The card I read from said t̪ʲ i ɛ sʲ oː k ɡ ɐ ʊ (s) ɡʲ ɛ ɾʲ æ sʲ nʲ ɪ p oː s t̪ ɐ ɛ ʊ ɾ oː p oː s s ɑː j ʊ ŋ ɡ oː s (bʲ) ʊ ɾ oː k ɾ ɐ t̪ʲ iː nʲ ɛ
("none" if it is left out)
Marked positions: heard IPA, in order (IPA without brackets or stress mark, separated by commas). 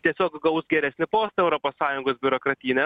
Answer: s, bʲ